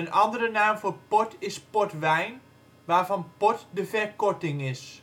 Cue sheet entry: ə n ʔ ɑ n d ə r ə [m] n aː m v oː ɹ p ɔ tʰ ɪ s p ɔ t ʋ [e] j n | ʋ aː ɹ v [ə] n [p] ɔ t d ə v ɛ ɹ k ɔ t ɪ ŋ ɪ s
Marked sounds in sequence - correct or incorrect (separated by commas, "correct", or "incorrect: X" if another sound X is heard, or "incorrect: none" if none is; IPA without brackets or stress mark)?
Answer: incorrect: none, incorrect: ɛ, incorrect: ɑ, correct